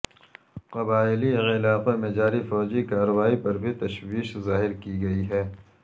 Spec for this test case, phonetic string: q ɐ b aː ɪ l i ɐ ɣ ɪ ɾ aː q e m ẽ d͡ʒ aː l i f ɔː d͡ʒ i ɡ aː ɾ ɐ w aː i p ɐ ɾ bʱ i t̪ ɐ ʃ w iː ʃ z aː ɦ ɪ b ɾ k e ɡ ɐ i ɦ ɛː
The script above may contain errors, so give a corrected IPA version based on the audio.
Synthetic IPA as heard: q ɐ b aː ɪ l i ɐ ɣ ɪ l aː q e m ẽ d͡ʒ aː ɾ i f ɔː d͡ʒ i k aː ɾ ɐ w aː i p ɐ ɾ bʱ i t̪ ɐ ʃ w iː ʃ z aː ɦ ɪ ɾ k i ɡ ɐ i ɦ ɛː